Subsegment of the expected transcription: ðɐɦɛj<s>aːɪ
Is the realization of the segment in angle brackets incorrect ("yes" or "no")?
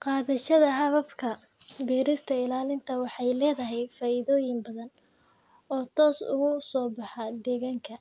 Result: yes